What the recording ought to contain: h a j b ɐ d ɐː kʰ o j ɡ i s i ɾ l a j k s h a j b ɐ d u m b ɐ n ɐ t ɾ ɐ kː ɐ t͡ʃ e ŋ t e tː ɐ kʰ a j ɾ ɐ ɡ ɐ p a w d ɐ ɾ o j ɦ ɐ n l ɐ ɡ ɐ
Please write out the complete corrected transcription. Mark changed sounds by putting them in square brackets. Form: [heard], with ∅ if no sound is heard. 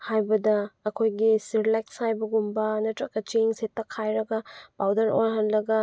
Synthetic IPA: h a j b ɐ d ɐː kʰ o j ɡ i s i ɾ l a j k s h a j b ɐ [ɡ] u m b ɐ n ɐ t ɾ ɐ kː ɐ t͡ʃ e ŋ [s] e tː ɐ kʰ a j ɾ ɐ ɡ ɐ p a w d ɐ ɾ o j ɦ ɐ n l ɐ ɡ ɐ